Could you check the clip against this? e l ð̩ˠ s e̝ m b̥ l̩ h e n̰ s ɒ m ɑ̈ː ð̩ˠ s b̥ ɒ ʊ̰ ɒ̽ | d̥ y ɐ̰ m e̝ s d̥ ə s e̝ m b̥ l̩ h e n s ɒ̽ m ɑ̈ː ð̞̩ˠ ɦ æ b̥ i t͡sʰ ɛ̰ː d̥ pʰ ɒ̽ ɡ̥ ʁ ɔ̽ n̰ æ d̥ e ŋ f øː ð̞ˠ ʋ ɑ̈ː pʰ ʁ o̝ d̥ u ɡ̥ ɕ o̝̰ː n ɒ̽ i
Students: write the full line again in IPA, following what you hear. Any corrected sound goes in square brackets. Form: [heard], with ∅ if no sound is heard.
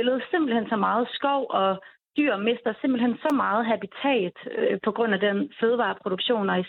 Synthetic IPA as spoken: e l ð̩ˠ s e̝ m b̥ l̩ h e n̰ s ɒ m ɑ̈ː ð̩ˠ s [ɡ̥] ɒ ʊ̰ ɒ̽ | d̥ y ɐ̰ m e̝ s d̥ [ɐ] s e̝ m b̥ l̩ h e n s ɒ̽ m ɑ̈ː ð̞̩ˠ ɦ æ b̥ i t͡sʰ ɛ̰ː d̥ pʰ ɒ̽ ɡ̥ ʁ ɔ̽ n̰ æ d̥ e [n] f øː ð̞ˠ ʋ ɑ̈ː pʰ ʁ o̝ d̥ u ɡ̥ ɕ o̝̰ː n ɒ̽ i